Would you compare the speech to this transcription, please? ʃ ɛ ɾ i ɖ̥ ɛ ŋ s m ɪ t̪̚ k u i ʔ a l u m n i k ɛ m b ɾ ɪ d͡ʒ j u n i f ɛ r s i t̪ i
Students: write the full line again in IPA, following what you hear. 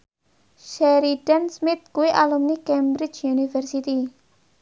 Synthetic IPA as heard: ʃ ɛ ɾ i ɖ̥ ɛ n s m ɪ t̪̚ k u i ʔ a l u m n i k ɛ m b ɾ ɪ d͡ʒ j u n i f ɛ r s i t̪ i